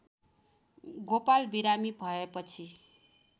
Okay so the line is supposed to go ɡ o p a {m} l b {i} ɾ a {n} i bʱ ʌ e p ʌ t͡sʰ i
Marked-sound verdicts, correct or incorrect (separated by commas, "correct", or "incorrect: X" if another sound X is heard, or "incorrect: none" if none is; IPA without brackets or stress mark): incorrect: none, correct, incorrect: m